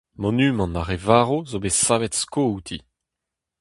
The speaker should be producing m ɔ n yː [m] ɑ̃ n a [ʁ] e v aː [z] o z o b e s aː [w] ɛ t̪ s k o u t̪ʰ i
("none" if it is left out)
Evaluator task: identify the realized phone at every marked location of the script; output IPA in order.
m, ʁ, ʁ, v

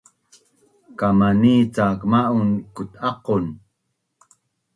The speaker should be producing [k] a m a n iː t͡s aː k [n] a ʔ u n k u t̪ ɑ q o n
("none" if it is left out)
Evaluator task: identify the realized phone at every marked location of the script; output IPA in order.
k, m

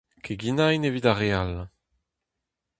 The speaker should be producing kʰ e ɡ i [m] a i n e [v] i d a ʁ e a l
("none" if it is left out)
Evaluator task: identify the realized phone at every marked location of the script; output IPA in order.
n, v

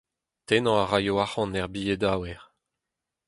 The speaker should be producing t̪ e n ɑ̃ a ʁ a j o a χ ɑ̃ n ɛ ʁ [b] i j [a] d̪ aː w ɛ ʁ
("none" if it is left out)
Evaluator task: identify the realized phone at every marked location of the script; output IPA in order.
b, e

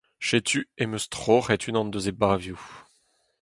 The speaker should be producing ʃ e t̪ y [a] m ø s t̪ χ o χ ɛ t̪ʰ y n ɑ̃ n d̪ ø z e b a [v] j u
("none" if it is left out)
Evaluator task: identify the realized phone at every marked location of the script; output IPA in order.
e, v

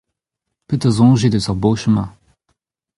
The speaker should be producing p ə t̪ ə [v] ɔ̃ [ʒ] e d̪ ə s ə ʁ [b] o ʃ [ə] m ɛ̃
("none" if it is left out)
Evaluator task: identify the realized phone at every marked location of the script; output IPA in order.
z, ʒ, b, ə

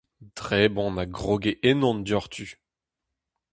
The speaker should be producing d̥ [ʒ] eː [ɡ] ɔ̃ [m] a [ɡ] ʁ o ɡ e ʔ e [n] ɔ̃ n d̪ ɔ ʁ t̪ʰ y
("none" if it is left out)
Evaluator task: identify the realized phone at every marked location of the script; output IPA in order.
ʁ, b, n, ɡ, n

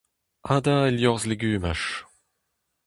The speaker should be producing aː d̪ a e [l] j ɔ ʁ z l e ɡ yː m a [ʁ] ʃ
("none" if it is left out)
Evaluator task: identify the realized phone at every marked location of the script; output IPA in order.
l, none

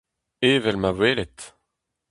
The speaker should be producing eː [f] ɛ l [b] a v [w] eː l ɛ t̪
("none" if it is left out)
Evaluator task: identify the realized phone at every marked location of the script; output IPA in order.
v, m, w

